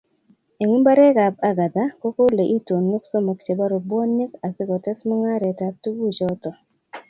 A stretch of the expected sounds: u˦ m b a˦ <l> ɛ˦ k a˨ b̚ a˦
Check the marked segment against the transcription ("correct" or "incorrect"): incorrect